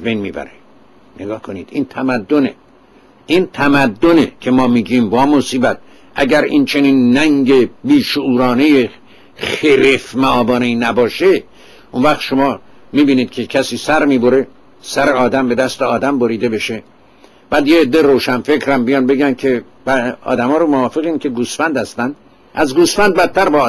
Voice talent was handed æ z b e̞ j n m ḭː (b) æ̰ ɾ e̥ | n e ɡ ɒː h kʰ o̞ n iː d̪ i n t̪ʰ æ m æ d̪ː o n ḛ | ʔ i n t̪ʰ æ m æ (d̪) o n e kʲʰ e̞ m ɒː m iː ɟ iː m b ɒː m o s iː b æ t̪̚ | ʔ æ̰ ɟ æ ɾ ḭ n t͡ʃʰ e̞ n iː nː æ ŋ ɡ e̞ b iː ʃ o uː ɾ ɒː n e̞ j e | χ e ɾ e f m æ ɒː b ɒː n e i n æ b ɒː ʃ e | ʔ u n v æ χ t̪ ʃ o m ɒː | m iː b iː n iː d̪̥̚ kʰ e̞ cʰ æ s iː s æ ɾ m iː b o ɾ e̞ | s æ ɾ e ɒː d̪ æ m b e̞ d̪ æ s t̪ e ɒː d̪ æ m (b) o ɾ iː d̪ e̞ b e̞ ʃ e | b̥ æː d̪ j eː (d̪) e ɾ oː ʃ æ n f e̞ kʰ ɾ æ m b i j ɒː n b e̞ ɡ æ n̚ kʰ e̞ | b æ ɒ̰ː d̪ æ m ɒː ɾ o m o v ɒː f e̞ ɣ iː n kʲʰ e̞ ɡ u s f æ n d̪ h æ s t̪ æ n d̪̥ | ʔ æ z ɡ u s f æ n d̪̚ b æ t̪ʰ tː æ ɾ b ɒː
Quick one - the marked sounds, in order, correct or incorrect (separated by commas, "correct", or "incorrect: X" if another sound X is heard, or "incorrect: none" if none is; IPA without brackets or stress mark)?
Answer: correct, incorrect: d̪ː, correct, incorrect: d̪ː